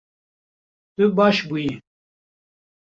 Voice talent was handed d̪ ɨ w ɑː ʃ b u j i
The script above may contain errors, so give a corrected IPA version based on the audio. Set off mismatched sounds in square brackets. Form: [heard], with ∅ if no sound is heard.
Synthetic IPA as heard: [t̪] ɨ [b] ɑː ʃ b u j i